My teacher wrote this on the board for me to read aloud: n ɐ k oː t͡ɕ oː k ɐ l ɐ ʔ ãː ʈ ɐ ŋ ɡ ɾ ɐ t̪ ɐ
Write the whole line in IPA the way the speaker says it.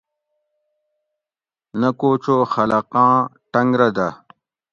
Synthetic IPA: n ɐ k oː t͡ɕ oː x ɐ l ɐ q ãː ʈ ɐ ŋ ɡ ɾ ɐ d̪ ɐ

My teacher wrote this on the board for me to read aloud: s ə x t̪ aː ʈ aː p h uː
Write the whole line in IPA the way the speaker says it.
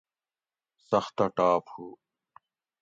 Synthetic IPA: s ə x t̪ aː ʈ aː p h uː

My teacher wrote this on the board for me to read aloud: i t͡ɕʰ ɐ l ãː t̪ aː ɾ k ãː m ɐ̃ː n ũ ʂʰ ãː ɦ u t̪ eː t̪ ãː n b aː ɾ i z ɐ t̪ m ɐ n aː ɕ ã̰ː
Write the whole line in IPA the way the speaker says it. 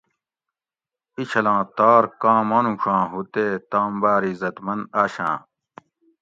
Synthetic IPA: i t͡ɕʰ ɐ l ãː t̪ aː ɾ k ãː m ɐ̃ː n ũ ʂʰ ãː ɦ u t̪ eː t̪ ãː m b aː ɾ i z ɐ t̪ m ɐ n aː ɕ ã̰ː

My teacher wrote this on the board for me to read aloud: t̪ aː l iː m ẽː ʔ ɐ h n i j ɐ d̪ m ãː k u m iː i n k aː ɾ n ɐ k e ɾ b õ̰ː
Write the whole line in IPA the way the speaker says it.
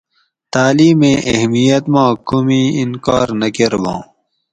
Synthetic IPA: t̪ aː l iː m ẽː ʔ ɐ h m i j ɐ t̪ m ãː k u m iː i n k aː ɾ n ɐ k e ɾ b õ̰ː

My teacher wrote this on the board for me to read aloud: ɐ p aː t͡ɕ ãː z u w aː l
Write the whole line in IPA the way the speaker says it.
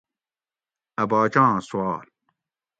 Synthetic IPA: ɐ b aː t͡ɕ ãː s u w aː l

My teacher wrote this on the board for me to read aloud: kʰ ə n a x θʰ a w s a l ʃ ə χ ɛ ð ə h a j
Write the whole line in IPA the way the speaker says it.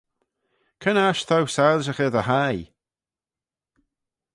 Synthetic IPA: kʰ ə n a ʃ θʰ a w s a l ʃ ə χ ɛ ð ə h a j

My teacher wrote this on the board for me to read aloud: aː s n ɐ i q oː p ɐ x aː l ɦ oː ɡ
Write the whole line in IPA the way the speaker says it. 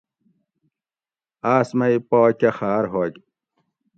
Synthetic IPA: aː s m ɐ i p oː k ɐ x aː ɾ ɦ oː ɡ

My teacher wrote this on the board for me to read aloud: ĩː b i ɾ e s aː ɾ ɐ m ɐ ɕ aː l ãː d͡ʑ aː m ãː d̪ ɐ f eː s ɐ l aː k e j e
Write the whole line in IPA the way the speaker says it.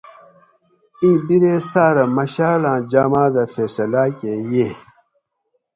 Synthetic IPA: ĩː b i ɾ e s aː ɾ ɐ m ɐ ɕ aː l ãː d͡ʑ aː m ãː d̪ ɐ f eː s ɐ l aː k e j e

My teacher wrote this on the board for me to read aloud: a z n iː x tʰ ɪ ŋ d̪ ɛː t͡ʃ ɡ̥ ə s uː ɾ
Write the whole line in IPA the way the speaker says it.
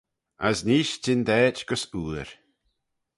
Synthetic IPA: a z n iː ʃ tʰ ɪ n d̪ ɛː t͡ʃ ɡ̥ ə s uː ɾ

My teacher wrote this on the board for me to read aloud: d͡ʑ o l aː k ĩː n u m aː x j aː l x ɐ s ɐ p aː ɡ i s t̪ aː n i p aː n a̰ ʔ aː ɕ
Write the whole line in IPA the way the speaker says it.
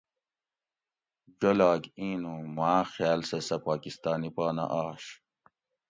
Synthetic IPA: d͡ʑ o l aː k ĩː n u m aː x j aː l s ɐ s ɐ p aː k i s t̪ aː n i p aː n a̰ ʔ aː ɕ

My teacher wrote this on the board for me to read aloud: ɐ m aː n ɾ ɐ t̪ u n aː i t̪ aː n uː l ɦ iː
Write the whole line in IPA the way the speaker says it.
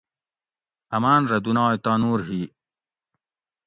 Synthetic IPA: ɐ m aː n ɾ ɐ d̪ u n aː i t̪ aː n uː ɾ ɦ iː

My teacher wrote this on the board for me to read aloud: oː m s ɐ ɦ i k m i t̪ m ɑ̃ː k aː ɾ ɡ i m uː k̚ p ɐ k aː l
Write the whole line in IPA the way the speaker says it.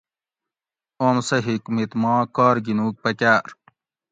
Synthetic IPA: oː m s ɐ ɦ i k m i t̪ m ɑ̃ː k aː ɾ ɡ i n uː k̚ p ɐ k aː ɾ

